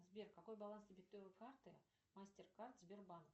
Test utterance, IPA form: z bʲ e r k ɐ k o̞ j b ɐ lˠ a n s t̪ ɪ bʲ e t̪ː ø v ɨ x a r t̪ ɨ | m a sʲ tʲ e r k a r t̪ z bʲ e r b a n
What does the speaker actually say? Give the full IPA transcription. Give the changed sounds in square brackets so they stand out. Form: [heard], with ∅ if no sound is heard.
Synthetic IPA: z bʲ e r k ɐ k o̞ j b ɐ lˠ a n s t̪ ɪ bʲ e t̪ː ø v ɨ [k] a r t̪ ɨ | m a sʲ tʲ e r k a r t̪ z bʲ e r b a n

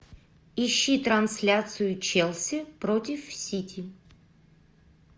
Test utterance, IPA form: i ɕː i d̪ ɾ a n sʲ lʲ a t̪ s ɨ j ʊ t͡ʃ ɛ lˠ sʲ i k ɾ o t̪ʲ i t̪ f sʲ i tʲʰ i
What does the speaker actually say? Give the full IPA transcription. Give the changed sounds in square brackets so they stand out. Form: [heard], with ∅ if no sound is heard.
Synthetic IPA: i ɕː i [t̪] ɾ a n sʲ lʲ a t̪ s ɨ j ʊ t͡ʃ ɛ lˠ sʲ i [p] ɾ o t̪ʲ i [∅] f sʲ i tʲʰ i

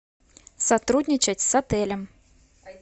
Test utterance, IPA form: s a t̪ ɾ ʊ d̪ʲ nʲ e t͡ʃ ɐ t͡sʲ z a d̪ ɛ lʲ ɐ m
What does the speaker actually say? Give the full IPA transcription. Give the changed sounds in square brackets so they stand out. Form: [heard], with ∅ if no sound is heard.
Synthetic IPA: s a t̪ ɾ [u] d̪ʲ nʲ [i] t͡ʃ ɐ t͡sʲ [s] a [t̪] ɛ lʲ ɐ m

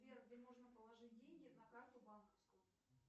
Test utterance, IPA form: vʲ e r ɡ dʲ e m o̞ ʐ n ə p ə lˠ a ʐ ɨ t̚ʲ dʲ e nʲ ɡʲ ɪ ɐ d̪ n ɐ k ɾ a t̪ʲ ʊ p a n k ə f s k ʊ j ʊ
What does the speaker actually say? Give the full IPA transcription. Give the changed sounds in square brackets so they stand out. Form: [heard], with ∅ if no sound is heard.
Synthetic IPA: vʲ e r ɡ dʲ e m o̞ ʐ n ə p ə lˠ [ɐ] ʐ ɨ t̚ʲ dʲ e nʲ ɡʲ ɪ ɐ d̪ n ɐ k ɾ a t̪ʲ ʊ [b] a n k ə f s k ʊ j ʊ

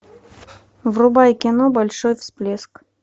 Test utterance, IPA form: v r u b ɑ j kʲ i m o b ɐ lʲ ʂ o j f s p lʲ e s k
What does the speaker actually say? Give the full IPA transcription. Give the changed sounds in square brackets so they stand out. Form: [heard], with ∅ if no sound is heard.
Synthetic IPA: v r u b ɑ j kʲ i [n] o b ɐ lʲ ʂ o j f s p lʲ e s k

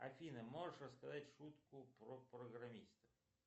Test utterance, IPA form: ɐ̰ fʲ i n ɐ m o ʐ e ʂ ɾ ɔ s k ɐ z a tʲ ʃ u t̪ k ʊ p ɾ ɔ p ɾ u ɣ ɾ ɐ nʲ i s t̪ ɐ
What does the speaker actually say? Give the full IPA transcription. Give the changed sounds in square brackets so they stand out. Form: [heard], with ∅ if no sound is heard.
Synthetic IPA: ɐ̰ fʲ i n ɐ m [ɔ] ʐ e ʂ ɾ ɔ s k ɐ z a tʲ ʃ u t̪ k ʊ p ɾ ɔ p ɾ [ɔ] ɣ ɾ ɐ [mʲ] i s t̪ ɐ

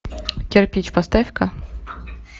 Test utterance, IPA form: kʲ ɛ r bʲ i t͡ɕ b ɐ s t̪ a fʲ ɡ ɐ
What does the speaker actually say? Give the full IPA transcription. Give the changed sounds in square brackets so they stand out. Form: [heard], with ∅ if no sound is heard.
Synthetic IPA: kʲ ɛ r [pʲ] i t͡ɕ [p] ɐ s t̪ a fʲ [k] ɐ

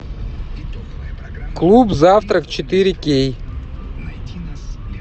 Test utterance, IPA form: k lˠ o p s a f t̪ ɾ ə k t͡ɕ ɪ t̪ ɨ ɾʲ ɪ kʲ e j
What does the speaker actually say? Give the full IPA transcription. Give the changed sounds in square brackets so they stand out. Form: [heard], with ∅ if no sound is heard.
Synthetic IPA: k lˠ [u] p [z] a f t̪ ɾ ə k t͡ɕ ɪ t̪ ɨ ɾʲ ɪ kʲ e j

